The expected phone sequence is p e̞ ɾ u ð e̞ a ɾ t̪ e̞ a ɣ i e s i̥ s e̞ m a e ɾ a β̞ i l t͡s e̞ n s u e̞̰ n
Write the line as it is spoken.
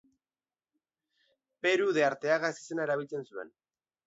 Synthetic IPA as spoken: p e̞ ɾ u ð e̞ a ɾ t̪ e̞ a ɣ a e s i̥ s e̞ n a e ɾ a β̞ i l t͡s e̞ n s u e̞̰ n